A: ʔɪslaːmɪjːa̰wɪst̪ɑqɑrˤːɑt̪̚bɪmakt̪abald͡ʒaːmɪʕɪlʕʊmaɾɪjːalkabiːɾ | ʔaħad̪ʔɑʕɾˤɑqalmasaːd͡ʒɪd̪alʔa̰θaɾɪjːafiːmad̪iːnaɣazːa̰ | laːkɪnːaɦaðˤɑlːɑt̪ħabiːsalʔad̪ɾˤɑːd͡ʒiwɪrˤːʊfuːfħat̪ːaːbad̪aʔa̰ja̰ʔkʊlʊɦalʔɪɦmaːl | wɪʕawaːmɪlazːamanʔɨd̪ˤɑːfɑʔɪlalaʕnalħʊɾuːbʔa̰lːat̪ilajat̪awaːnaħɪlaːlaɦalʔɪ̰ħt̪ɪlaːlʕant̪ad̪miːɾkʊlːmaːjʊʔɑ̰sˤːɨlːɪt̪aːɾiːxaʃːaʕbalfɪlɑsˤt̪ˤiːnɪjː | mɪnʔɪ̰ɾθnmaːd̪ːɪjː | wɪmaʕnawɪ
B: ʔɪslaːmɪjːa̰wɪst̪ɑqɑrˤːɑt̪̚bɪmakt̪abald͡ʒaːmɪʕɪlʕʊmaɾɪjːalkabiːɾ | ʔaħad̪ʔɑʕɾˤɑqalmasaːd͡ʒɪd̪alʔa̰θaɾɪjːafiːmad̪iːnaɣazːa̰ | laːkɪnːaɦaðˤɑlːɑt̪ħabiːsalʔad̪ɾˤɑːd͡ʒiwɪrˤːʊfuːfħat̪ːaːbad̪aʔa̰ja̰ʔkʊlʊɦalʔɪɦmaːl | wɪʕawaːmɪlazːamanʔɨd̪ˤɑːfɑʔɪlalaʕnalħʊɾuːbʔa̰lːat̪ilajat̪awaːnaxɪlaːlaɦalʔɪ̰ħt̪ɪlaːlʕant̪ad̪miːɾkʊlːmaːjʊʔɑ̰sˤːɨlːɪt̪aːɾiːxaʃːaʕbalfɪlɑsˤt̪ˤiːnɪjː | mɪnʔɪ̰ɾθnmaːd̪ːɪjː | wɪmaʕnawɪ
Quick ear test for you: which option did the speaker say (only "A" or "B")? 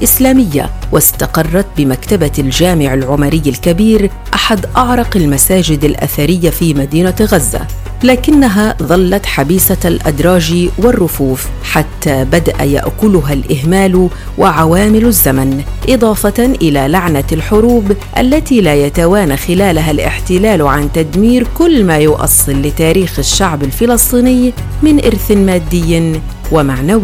B